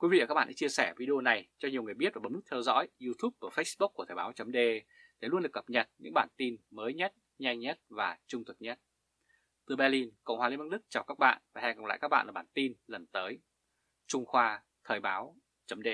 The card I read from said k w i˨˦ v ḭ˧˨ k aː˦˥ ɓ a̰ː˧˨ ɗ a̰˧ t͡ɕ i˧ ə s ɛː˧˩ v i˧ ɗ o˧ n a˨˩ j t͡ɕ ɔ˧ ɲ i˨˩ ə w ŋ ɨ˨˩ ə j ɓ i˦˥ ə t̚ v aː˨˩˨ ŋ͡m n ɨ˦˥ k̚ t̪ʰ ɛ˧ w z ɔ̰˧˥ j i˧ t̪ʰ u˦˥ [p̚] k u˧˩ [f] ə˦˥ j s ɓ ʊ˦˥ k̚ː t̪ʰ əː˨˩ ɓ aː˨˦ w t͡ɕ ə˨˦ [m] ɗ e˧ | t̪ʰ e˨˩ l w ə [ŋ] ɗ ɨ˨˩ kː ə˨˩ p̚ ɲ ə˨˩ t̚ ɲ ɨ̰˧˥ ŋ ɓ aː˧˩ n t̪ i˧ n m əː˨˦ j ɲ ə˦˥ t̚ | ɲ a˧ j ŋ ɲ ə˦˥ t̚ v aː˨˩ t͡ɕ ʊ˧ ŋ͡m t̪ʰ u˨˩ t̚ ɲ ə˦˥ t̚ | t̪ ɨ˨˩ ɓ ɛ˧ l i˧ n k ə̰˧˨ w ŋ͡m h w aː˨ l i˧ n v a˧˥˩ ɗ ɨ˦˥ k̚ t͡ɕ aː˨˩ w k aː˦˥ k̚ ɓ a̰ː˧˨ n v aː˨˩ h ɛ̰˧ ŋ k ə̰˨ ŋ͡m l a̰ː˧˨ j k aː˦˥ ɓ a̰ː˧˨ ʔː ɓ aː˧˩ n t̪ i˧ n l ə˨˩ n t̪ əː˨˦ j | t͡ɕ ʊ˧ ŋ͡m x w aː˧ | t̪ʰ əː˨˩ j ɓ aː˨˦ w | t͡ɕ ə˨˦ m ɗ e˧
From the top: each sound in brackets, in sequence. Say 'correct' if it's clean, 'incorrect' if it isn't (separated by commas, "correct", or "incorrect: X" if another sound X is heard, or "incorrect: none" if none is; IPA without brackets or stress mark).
correct, correct, correct, incorrect: n